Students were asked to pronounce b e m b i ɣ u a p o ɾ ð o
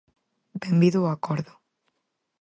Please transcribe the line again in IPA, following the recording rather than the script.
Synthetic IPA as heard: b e m b i ð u a k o ɾ ð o